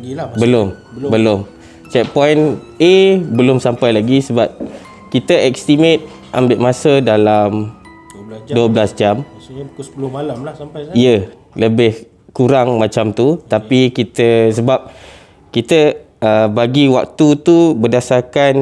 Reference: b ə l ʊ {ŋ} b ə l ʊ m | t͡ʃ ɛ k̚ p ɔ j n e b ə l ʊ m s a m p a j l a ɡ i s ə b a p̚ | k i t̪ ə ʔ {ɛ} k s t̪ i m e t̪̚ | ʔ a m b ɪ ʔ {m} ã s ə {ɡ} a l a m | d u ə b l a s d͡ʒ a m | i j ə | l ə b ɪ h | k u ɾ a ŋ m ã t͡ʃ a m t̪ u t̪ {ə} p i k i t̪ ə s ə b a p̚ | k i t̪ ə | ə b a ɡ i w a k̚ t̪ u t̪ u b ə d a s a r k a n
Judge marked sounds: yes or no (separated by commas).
no, yes, yes, no, no